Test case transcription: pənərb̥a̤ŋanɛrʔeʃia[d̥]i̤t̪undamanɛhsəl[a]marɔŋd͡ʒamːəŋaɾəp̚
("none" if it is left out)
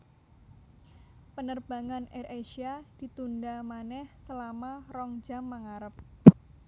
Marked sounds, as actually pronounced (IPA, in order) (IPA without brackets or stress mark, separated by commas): d̥, a